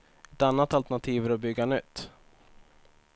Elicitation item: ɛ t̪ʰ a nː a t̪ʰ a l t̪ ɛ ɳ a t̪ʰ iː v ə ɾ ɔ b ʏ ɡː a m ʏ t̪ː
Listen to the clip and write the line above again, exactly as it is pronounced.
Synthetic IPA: ɛ t̪ a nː a t̪ a l t̪ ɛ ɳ a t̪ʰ iː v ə ɾ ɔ b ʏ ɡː a n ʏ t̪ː